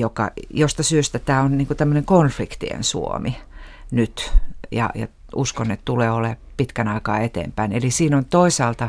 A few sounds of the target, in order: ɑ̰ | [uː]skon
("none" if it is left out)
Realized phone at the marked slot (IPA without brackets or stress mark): u